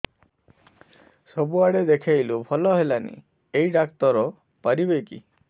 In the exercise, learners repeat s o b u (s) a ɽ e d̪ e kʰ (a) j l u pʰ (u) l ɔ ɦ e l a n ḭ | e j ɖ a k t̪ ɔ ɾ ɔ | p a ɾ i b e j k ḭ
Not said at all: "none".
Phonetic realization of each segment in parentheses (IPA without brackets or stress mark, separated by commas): none, a, ɔ